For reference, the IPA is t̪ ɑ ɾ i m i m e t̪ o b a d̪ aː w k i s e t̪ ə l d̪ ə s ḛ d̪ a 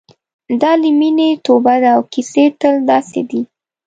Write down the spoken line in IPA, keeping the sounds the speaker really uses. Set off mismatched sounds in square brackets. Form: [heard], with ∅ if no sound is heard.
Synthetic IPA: [d̪] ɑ [l] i m i [n] e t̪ o b a d̪ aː w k i s e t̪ ə l d̪ [ɑ] s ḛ d̪ [i]